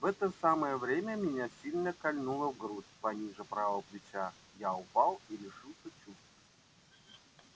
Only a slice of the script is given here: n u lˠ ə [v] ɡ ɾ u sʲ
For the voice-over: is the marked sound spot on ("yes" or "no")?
yes